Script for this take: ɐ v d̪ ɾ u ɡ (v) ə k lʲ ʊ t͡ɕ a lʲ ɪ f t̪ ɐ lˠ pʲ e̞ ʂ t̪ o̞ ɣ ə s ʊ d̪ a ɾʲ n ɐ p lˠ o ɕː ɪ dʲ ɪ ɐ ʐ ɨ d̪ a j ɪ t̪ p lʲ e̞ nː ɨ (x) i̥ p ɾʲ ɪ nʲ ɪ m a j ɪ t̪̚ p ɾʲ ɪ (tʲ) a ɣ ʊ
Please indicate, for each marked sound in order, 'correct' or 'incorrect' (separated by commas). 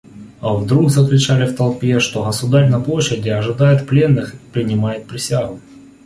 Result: incorrect, correct, incorrect